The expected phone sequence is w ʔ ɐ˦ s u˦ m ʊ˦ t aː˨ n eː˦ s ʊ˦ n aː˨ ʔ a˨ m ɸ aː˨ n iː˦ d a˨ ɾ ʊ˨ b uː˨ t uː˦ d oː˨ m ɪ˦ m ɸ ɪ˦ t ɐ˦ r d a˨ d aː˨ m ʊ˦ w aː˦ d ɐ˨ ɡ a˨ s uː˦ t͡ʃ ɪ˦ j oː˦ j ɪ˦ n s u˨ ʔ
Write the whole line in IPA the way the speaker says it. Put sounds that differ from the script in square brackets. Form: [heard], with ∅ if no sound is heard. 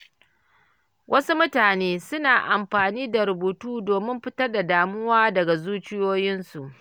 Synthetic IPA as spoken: w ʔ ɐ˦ s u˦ m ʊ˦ t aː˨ n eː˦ s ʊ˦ n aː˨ ʔ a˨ m ɸ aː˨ n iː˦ d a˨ ɾ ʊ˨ b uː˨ t uː˦ d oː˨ m ɪ˦ m ɸ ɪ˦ t ɐ˦ r d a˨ d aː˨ m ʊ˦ w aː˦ d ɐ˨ ɡ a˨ [z] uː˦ t͡ʃ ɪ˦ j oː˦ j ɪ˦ n s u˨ ʔ